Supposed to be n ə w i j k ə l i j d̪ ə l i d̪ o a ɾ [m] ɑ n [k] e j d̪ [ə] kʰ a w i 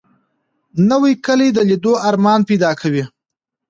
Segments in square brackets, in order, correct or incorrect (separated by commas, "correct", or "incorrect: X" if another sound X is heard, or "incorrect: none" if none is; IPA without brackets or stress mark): correct, incorrect: p, incorrect: ɑ